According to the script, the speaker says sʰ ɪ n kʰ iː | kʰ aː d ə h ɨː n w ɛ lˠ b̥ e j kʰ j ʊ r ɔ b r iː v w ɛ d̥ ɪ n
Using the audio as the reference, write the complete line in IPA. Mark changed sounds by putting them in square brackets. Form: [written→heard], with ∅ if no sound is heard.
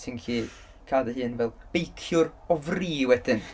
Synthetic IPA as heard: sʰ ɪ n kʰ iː | kʰ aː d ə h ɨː n [w→v] ɛ lˠ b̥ e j kʰ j ʊ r ɔ [b→v] r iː [v→∅] w ɛ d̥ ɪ n